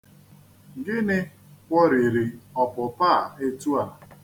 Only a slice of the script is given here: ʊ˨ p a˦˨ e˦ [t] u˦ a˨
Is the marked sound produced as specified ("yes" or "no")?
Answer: yes